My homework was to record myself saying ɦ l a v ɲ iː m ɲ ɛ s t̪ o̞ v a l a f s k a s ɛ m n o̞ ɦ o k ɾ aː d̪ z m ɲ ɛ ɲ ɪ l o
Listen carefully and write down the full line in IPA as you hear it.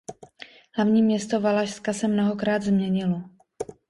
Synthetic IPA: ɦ l a v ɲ iː m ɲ ɛ s t̪ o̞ v a l a ʃ s k a s ɛ m n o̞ ɦ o k ɾ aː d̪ z m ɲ ɛ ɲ ɪ l o